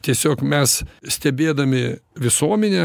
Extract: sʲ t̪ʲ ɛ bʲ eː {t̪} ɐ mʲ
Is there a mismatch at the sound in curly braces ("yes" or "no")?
yes